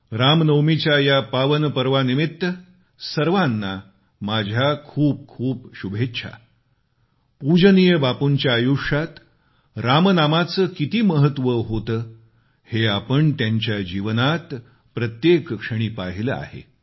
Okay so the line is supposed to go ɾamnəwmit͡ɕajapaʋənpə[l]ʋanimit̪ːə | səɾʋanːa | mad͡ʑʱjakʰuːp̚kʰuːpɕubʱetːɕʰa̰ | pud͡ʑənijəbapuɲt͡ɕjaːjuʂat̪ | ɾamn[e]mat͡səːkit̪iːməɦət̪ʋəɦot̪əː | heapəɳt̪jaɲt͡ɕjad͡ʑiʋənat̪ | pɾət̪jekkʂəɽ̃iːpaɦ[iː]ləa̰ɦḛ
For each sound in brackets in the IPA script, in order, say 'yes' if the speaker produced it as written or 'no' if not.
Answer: no, no, no

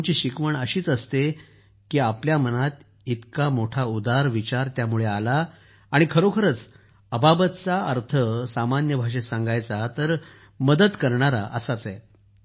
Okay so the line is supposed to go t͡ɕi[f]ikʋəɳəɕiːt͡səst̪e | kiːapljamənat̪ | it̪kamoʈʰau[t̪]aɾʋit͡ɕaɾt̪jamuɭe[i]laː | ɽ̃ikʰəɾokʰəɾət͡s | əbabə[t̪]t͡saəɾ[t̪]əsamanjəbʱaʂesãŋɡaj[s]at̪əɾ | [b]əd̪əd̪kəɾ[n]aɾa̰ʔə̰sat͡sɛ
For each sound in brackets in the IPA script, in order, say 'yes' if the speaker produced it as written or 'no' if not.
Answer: no, no, no, yes, no, no, no, no

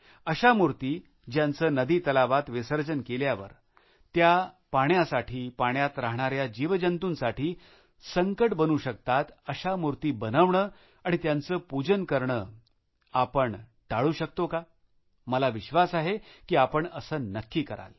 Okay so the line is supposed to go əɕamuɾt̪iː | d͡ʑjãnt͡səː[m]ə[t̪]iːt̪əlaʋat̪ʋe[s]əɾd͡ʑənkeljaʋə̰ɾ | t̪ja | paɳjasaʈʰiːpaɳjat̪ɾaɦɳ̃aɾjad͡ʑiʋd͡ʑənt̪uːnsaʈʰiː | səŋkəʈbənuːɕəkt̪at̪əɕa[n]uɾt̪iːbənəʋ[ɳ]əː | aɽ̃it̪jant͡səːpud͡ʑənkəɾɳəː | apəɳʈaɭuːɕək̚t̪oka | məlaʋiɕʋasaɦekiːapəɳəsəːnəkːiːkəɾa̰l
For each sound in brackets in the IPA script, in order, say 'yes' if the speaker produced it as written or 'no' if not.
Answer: no, no, yes, no, yes

